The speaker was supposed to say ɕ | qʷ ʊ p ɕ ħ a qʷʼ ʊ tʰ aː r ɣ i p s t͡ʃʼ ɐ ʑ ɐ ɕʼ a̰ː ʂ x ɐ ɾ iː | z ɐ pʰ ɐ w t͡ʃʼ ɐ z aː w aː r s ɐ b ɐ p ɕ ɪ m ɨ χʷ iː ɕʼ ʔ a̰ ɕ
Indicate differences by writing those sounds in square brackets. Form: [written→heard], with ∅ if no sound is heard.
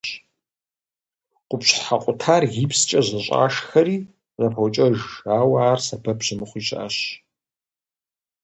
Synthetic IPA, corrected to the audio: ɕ | qʷ ʊ p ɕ ħ a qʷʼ ʊ tʰ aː r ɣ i p s t͡ʃʼ ɐ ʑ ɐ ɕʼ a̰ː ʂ x ɐ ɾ iː | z ɐ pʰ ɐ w t͡ʃʼ ɐ [z→ʒ] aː w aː r s ɐ b ɐ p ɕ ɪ m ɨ χʷ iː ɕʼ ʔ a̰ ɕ